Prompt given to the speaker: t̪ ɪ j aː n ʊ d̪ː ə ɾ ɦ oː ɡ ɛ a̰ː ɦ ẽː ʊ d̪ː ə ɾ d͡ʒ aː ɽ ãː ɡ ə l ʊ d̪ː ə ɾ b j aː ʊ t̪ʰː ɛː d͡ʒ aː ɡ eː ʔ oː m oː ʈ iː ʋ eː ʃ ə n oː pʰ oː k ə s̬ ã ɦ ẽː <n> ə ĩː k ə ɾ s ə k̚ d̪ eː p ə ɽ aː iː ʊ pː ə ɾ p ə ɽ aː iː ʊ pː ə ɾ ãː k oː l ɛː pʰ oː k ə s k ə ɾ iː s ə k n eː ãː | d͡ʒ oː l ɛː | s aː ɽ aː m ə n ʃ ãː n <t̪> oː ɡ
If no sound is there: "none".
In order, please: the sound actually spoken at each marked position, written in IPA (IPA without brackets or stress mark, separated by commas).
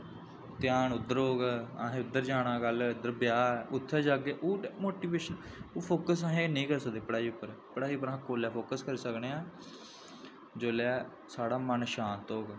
n, t̪